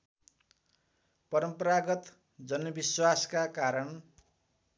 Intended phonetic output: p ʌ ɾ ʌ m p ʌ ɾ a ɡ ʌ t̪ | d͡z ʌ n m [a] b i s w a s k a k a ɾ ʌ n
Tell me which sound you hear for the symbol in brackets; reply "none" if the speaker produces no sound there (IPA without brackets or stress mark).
ʌ